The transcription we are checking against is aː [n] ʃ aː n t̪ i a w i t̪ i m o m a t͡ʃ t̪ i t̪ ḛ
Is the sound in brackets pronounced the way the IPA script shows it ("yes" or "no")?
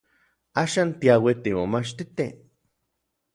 no